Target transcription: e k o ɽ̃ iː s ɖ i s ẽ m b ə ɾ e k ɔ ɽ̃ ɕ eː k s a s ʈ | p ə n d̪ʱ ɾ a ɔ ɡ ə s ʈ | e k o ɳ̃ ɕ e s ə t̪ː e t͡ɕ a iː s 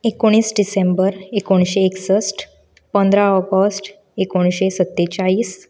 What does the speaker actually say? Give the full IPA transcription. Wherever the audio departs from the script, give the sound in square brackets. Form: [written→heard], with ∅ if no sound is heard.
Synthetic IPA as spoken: e k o ɽ̃ iː s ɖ i s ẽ m b ə ɾ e k [ɔ→o] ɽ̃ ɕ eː k s [a→ə] s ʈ | p ə n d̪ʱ ɾ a ɔ ɡ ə s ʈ | e k o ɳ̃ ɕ e s ə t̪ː e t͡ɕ a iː s